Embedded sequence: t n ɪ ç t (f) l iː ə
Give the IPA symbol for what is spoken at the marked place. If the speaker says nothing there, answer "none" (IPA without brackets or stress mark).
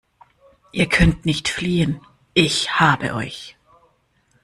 f